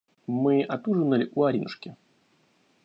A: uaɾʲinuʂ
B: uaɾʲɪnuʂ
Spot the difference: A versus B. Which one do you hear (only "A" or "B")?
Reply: A